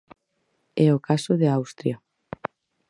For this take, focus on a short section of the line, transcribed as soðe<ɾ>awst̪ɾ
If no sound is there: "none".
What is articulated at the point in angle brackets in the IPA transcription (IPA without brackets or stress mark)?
none